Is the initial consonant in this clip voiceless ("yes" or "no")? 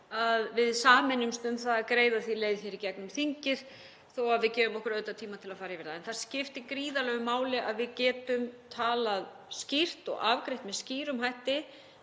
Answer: no